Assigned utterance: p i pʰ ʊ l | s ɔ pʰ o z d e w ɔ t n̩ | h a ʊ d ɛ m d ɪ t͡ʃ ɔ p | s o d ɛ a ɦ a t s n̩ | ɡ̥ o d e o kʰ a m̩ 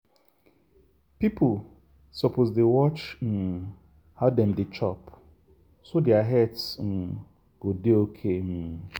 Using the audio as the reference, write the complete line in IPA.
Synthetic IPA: p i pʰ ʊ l | s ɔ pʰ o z d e w ɔ t͡ʃ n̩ | h a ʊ d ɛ m d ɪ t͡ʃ ɔ p | s o d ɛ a ɦ ɛ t s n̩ | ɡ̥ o d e o kʰ e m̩